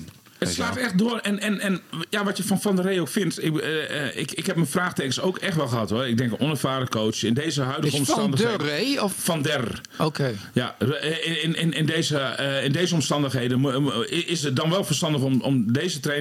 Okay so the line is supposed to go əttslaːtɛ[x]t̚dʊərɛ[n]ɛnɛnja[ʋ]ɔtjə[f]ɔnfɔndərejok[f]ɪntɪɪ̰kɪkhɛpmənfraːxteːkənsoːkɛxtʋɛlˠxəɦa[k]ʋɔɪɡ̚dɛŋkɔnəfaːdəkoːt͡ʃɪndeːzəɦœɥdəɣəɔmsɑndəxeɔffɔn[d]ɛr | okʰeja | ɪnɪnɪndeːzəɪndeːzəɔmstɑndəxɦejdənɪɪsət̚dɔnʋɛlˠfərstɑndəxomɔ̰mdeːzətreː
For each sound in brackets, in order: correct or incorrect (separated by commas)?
correct, correct, correct, correct, correct, incorrect, correct